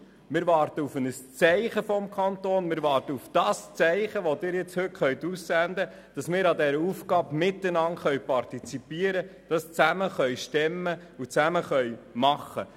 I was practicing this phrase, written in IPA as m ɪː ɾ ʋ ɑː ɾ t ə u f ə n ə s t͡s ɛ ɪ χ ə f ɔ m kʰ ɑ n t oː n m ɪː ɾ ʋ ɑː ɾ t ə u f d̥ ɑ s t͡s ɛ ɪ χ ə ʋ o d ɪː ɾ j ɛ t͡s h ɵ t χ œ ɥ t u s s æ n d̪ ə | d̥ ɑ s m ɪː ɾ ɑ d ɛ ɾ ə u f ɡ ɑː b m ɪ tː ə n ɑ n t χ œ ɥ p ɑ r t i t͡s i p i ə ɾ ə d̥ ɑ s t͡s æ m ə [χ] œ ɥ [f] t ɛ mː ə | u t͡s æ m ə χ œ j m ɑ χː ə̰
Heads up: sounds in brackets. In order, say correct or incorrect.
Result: correct, incorrect: ʃ

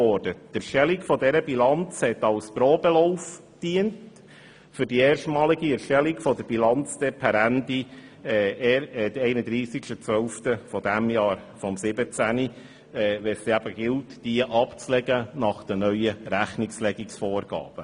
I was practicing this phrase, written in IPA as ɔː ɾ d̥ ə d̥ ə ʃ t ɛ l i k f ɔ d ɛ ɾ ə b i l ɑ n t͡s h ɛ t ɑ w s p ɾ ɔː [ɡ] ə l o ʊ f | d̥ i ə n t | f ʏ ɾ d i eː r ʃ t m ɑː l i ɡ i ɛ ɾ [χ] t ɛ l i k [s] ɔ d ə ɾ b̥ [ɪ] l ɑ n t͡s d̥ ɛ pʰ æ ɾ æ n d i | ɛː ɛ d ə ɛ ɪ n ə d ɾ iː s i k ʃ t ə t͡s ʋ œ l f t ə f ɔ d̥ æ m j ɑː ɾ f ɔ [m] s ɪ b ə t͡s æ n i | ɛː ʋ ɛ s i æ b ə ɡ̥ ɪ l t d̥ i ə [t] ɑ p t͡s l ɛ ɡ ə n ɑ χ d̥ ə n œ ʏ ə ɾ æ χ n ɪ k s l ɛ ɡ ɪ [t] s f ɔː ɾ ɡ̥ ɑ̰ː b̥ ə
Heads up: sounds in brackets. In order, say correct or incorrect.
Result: incorrect: b, incorrect: ʃ, incorrect: f, incorrect: i, correct, incorrect: ʔ, incorrect: k

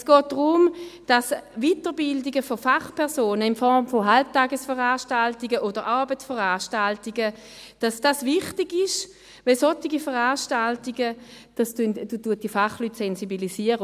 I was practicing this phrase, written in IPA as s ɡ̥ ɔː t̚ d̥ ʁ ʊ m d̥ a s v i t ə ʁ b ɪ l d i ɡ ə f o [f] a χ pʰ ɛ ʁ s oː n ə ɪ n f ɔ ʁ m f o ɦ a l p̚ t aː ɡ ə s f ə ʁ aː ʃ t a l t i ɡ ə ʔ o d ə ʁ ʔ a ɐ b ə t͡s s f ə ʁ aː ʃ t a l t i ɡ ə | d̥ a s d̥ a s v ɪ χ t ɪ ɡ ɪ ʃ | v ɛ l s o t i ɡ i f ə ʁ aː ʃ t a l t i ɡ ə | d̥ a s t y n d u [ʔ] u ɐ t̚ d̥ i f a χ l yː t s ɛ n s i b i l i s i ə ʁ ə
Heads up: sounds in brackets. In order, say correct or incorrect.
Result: correct, incorrect: t

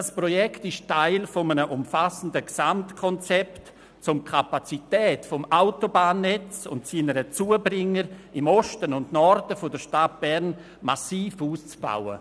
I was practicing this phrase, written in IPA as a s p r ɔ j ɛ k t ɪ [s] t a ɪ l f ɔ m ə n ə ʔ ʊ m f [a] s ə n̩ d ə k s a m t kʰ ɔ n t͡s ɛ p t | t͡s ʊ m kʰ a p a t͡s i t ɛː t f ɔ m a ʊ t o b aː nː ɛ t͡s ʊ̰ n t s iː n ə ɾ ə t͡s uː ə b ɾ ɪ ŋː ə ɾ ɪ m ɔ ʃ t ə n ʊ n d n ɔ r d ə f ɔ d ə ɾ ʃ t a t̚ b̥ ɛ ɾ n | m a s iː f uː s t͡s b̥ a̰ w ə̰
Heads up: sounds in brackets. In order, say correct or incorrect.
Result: incorrect: ʃ, correct

